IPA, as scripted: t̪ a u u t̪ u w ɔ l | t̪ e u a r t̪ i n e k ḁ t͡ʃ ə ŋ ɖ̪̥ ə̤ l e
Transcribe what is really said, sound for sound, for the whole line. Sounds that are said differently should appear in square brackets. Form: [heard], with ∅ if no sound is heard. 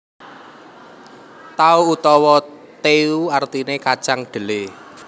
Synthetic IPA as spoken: t̪ a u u t̪ [ɔ] w ɔ [∅] | t̪ e u a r t̪ i n e k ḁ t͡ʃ [a] ŋ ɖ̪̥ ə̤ l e